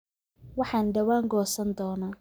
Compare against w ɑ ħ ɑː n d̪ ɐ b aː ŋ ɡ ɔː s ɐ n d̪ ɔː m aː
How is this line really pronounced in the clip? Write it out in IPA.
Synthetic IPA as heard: w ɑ ħ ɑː n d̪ ɐ w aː ŋ ɡ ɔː s ɐ n d̪ ɔː n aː